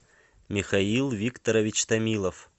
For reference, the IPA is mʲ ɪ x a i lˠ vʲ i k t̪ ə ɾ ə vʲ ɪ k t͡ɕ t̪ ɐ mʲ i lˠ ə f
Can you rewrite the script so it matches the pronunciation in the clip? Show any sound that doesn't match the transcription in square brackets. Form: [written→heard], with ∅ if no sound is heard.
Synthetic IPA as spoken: mʲ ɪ x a i lˠ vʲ i k t̪ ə ɾ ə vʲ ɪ [k→∅] t͡ɕ t̪ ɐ mʲ i lˠ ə f